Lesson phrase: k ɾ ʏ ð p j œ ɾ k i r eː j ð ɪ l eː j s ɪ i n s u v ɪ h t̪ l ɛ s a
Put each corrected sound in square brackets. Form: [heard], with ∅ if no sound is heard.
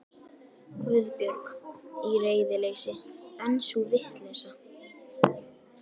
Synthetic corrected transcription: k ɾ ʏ ð p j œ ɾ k i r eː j ð ɪ l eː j s ɪ [ɛ] n s u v ɪ h t̪ l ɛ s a